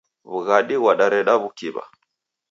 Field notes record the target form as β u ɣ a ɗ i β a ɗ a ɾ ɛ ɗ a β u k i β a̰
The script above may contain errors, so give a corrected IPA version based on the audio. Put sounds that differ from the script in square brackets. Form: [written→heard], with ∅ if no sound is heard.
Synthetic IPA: β u ɣ a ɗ i [β→w] a ɗ a ɾ ɛ ɗ a β u k i β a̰